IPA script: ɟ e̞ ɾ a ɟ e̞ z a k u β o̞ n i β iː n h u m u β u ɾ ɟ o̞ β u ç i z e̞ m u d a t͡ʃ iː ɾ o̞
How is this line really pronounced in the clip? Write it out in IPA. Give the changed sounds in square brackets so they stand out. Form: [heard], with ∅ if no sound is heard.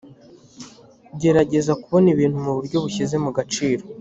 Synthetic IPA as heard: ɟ e̞ ɾ a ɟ e̞ z a k u β o̞ n i β iː n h u m u β u ɾ ɟ o̞ β u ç i z e̞ m u [ɡ] a t͡ʃ iː ɾ o̞